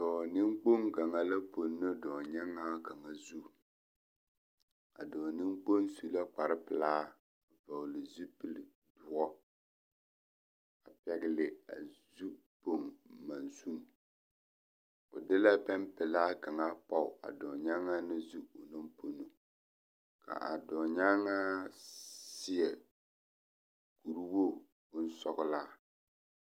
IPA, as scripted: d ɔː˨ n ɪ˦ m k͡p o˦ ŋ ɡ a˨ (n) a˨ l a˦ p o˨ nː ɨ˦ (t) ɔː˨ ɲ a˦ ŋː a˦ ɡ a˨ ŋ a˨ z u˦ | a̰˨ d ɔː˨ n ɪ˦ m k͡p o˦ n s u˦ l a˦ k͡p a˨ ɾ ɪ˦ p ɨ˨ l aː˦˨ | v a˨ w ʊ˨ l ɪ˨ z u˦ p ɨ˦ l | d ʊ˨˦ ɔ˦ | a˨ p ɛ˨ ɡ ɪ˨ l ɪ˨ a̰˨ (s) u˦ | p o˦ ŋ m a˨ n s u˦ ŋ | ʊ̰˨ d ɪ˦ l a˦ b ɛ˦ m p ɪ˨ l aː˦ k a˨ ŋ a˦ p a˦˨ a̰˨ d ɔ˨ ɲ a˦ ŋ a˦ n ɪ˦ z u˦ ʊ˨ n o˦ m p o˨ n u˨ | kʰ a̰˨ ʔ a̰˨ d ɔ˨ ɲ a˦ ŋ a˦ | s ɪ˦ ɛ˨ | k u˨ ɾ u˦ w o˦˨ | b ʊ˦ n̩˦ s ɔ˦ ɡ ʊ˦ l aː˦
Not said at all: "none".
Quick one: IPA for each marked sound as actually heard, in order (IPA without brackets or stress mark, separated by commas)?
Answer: ŋ, d, z